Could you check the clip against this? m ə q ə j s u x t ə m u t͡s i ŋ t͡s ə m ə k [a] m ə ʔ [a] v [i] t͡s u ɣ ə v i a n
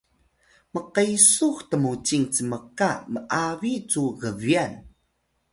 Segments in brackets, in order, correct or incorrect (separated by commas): correct, correct, correct